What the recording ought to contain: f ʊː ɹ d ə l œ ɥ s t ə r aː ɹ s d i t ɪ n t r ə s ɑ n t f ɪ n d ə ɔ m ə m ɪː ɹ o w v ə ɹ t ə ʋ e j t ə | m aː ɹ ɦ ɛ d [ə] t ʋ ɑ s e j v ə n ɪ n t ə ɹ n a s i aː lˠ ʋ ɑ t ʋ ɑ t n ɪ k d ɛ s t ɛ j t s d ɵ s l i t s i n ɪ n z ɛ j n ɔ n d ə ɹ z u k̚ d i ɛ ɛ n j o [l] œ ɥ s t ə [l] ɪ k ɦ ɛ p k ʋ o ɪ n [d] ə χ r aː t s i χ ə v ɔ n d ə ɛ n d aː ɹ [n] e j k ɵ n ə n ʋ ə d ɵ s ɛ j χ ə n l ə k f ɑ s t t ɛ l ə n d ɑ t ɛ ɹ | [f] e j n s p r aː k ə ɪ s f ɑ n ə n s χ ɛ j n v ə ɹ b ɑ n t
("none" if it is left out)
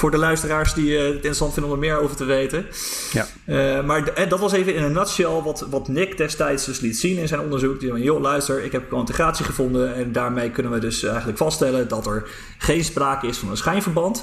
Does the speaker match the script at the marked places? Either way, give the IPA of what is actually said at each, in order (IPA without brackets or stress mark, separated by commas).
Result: ɑ, l, ɹ, t, m, χ